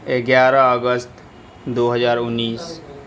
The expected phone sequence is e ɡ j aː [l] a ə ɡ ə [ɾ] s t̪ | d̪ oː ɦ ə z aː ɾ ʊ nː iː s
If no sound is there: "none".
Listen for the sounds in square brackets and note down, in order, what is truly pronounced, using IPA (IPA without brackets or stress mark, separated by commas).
ɾ, none